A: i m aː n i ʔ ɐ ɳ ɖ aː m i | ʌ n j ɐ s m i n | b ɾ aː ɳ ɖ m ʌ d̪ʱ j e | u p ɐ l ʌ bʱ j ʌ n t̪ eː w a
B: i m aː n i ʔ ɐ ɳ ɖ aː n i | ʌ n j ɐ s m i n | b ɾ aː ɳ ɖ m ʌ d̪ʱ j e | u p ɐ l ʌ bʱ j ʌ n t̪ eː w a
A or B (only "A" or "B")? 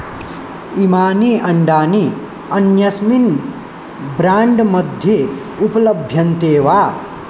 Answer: B